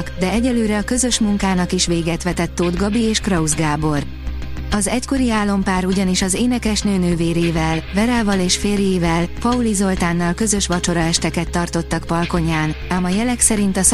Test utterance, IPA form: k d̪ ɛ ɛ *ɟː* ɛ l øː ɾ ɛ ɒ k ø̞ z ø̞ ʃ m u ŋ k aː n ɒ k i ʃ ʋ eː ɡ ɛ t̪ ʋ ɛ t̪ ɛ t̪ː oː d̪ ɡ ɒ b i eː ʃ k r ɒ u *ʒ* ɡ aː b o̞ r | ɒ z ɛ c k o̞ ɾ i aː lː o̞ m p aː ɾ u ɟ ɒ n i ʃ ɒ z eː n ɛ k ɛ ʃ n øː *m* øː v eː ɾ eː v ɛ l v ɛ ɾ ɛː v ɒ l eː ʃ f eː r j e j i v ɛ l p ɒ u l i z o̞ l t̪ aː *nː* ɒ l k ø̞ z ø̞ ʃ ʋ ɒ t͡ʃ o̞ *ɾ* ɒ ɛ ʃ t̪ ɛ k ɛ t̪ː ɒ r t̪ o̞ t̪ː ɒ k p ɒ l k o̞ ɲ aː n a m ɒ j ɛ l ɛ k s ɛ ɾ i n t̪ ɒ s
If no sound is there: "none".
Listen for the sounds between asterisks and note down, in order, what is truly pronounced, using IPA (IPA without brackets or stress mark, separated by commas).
ɟ, z, n, nː, ɾ